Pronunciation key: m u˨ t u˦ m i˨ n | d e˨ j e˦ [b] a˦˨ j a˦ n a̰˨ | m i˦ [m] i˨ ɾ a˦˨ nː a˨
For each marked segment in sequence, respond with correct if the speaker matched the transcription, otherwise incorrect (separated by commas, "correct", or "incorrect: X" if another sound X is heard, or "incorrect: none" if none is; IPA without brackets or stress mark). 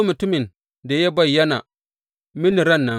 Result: correct, incorrect: n